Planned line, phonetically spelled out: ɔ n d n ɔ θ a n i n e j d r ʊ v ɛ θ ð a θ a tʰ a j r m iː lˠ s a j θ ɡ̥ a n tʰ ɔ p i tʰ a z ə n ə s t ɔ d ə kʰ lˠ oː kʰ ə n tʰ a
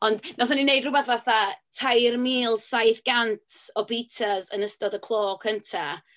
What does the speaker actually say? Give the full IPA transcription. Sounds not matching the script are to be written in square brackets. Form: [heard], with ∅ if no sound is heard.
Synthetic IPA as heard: ɔ n d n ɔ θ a n i n e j d r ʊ [b] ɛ θ [v] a θ a tʰ a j r m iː lˠ s a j θ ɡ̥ a n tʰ ɔ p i tʰ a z ə n ə s t ɔ d ə kʰ lˠ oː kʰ ə n tʰ a

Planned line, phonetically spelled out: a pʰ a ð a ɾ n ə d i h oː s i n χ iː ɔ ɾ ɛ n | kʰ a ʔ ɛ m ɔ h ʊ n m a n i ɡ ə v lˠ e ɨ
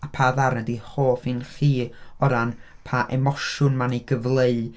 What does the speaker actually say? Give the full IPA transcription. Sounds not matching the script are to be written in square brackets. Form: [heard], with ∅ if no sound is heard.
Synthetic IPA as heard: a pʰ a ð a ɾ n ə d i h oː [f] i n χ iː ɔ ɾ [a] n | [pʰ] a ʔ ɛ m ɔ [ʃ] ʊ n m a n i ɡ ə v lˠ e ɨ

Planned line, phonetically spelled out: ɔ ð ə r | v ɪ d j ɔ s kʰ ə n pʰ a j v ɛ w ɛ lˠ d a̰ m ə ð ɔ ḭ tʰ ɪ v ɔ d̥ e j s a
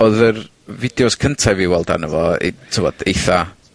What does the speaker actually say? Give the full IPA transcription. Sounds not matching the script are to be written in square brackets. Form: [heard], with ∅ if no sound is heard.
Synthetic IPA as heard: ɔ ð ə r | v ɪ d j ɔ s kʰ ə n [tʰ] a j v [i] w ɛ lˠ d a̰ [n] ə [v] ɔ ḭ tʰ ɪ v ɔ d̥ e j [θ] a

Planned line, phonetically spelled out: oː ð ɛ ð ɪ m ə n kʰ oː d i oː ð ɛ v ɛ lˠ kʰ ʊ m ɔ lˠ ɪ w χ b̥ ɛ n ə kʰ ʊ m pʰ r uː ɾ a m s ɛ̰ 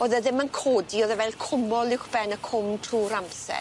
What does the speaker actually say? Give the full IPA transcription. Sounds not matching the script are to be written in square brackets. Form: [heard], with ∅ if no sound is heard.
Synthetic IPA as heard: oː ð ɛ ð ɪ m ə n kʰ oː d i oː ð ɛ v ɛ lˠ kʰ ʊ m ɔ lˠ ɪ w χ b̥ ɛ n ə kʰ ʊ m [tʰ] r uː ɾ a m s ɛ̰

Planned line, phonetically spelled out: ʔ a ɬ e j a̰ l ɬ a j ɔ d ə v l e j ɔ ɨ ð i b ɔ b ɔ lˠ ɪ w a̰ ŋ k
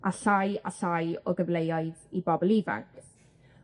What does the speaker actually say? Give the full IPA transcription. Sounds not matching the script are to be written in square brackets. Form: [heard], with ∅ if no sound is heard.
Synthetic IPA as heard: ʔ a ɬ [a] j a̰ [∅] ɬ a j ɔ [ɡ] ə v l e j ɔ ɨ ð i b ɔ b ɔ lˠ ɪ [v] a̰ ŋ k

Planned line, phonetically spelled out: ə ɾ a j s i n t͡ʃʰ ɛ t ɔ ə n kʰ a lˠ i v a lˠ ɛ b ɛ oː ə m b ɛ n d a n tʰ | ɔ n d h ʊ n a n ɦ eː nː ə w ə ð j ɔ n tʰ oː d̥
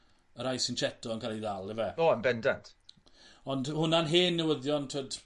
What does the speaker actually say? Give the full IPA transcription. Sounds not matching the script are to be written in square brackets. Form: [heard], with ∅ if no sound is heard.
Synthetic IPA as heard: ə ɾ a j s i n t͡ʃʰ ɛ t ɔ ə n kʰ a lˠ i [ð] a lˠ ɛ [v] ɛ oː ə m b ɛ n d a n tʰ | ɔ n d h ʊ n a n ɦ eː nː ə w ə ð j ɔ n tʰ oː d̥

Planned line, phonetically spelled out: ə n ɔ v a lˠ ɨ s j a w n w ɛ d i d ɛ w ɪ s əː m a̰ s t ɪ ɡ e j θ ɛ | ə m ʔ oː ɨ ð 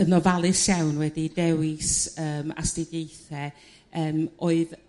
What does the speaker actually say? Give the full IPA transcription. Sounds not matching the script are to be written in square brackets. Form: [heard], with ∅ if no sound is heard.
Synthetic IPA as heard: ə n ɔ v a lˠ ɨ s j a w n w ɛ d i d ɛ w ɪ s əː m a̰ s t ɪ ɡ e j θ ɛ | [əː] m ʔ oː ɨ ð

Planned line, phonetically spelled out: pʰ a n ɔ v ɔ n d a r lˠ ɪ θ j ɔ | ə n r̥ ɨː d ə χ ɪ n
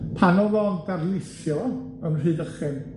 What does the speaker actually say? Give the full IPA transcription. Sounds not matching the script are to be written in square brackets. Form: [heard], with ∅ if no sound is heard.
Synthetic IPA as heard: pʰ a n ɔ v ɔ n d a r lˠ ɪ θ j ɔ | ə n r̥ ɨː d ə χ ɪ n

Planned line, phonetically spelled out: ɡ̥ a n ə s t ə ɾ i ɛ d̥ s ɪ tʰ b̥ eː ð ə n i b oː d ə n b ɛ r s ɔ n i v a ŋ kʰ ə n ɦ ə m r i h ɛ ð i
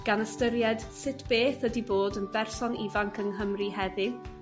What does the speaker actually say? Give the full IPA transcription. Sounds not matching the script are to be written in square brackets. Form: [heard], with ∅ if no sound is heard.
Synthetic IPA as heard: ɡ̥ a n ə s t ə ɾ [j] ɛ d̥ s ɪ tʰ b̥ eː [θ] ə [d] i b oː d ə n b ɛ r s ɔ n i v a ŋ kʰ ə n ɦ ə m r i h ɛ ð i

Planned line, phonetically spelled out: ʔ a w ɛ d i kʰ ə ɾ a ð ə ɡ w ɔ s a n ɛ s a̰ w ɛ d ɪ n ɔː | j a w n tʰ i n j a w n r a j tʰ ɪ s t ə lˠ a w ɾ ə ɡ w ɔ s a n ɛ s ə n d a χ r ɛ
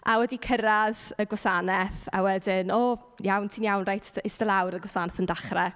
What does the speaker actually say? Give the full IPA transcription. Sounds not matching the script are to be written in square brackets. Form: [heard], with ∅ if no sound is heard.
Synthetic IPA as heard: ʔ a w ɛ d i kʰ ə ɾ a ð ə ɡ w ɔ s a n ɛ [θ] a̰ w ɛ d ɪ n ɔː | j a w n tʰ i n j a w n r a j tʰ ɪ s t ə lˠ a w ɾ ə ɡ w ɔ s a n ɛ [θ] ə n d a χ r ɛ

